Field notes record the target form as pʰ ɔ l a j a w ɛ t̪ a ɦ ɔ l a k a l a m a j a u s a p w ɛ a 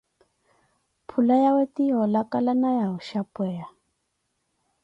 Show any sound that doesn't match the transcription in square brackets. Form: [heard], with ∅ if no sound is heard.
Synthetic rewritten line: pʰ [u] l a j a w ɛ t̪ [i] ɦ ɔ l a k a l a [n] a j a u [ʃ] a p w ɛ a